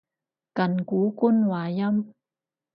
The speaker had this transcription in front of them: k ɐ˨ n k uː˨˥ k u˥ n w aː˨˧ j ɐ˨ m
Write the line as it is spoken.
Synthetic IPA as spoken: k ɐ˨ n k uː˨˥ k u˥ n w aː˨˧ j ɐ˥ m